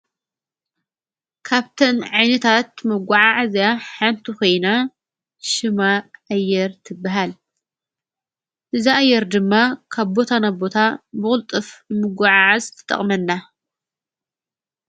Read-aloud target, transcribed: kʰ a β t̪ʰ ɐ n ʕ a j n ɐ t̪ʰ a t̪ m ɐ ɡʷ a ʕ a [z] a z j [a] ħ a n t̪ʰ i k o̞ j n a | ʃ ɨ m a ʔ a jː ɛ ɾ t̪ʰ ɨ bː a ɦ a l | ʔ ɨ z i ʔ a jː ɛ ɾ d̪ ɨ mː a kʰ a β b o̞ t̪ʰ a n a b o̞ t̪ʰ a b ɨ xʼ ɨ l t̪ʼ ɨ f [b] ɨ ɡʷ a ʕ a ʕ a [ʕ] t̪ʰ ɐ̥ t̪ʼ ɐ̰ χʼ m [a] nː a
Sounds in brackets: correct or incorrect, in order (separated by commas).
incorrect, correct, incorrect, incorrect, incorrect